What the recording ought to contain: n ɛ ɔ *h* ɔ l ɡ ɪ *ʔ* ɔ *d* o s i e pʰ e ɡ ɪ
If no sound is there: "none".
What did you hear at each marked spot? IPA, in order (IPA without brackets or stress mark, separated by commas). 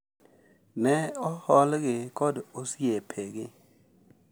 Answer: h, k, d